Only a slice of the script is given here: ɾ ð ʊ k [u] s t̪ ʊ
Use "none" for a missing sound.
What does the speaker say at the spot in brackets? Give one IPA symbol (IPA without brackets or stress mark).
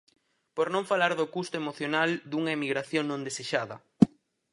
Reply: u